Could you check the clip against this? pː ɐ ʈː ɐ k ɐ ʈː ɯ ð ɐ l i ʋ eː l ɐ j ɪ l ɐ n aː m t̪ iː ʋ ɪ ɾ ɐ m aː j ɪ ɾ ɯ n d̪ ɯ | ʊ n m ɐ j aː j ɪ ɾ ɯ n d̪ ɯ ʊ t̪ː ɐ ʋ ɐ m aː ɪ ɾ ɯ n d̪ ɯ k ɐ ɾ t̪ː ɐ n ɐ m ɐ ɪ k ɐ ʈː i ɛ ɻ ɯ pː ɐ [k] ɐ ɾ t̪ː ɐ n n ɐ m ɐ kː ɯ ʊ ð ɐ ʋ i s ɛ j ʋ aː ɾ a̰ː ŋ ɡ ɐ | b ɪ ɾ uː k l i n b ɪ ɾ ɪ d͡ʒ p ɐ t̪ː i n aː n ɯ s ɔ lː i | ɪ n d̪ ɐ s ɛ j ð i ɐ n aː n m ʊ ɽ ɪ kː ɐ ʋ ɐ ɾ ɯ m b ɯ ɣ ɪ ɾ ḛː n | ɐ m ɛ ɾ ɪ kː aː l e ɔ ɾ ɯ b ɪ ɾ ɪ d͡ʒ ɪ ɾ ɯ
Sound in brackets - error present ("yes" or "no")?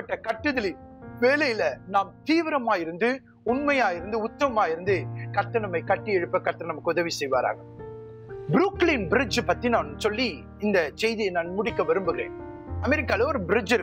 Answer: no